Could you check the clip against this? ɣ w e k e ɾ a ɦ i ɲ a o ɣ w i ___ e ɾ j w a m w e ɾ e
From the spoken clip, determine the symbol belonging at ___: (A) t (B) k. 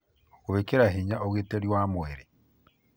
A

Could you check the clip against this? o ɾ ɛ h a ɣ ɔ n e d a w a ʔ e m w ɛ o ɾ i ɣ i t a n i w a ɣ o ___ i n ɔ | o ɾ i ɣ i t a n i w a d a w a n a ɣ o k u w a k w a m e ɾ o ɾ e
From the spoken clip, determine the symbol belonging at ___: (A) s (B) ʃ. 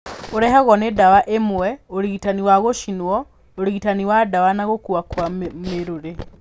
B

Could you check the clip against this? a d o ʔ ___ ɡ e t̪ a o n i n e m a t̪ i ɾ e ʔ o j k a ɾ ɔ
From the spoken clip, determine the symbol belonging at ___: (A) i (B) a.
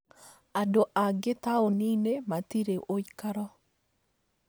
B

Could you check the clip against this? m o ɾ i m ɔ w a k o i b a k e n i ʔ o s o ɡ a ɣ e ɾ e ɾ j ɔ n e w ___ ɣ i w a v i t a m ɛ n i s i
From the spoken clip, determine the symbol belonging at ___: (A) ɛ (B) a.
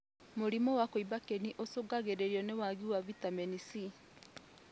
B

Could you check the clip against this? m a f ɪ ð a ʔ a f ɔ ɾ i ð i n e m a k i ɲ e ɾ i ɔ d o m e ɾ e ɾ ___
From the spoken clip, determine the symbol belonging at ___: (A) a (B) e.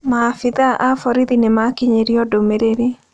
B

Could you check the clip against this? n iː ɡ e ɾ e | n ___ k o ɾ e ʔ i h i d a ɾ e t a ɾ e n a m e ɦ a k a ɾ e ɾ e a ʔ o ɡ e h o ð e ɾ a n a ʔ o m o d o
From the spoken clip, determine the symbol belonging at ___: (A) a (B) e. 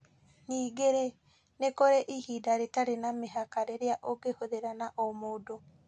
B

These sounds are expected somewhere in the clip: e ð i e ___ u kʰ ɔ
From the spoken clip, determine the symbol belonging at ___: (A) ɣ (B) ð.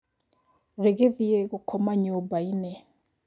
A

